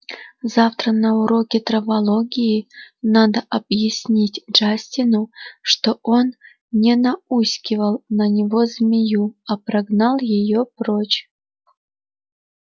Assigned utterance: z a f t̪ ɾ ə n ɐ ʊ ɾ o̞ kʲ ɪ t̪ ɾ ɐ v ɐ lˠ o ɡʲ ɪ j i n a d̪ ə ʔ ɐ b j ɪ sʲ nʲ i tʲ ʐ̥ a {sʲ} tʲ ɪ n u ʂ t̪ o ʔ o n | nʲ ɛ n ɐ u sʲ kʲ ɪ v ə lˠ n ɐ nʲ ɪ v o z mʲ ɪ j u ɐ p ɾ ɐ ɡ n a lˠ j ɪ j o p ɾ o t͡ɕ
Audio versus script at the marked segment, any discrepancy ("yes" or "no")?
no